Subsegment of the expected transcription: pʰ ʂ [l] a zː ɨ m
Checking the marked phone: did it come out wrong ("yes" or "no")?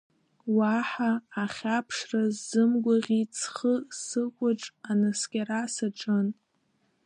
yes